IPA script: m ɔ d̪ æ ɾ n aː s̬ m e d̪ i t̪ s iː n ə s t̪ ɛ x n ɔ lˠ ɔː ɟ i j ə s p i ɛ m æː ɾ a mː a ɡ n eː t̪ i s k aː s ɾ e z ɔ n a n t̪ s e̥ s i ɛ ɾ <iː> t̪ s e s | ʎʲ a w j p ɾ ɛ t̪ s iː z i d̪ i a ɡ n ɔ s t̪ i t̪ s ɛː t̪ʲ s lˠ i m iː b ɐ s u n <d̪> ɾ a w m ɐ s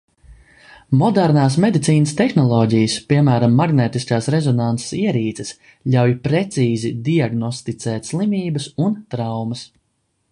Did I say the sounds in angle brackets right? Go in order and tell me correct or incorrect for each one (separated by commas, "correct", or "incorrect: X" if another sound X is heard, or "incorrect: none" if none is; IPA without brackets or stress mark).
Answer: correct, incorrect: t̪